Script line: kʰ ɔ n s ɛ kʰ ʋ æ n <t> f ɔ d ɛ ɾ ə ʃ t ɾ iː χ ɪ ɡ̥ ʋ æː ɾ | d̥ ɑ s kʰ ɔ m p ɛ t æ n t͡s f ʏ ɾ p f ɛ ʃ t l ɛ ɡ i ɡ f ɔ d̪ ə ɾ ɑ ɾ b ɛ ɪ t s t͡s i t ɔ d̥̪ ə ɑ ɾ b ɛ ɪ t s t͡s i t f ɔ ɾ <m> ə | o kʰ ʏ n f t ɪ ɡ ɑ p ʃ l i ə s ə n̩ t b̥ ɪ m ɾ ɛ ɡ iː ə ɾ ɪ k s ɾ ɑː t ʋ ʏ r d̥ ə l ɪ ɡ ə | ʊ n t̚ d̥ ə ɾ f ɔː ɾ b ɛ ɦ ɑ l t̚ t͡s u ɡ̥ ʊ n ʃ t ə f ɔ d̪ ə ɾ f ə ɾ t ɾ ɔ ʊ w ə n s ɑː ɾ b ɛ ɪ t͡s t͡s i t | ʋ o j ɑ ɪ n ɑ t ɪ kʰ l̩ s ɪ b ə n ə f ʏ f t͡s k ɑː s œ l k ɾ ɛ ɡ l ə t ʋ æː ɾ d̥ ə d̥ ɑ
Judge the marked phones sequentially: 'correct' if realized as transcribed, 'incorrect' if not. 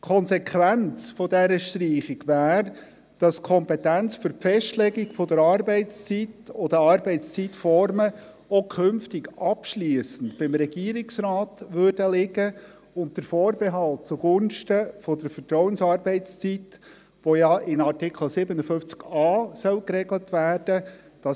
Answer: incorrect: t͡s, correct

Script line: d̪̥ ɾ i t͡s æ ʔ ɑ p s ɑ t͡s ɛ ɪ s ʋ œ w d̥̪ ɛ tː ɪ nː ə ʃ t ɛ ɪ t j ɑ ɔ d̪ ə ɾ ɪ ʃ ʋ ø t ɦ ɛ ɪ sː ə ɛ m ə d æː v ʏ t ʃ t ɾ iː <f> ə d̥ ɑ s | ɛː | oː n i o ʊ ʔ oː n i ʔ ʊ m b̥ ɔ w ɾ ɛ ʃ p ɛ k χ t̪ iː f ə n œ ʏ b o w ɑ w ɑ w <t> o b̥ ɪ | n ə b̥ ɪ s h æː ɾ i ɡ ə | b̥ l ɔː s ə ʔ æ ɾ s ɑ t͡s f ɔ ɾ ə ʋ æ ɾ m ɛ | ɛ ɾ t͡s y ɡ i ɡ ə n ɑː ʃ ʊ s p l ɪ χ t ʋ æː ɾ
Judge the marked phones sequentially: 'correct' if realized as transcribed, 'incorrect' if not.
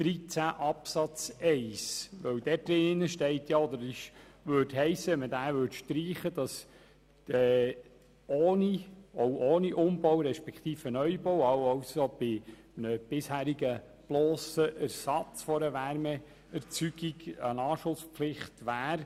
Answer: incorrect: χ, incorrect: s

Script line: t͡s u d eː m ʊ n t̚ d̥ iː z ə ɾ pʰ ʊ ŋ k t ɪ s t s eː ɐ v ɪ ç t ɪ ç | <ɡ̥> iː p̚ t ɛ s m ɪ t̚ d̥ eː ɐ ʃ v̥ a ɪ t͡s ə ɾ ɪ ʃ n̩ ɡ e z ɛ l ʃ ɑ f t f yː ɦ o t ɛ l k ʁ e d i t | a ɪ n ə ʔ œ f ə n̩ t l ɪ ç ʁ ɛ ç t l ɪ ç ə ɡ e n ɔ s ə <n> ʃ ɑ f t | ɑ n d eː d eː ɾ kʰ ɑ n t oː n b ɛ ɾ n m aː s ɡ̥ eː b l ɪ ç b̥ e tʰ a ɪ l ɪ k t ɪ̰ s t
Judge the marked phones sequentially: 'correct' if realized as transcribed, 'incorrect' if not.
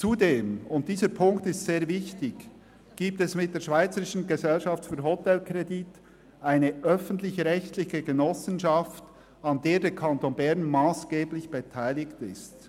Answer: correct, correct

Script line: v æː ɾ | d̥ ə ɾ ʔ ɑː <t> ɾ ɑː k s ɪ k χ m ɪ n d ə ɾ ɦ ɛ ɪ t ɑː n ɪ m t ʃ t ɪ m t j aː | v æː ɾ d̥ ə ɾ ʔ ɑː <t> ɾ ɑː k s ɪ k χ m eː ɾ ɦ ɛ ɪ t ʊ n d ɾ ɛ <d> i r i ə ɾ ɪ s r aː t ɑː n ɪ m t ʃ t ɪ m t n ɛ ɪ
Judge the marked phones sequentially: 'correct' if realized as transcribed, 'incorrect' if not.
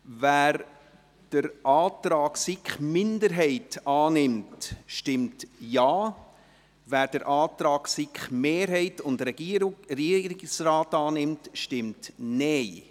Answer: correct, correct, incorrect: ɡ

